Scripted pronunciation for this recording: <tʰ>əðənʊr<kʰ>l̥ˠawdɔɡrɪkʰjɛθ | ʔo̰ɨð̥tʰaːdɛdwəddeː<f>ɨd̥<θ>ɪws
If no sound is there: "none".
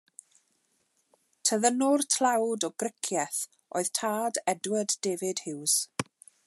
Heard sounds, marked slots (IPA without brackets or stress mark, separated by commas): tʰ, tʰ, v, h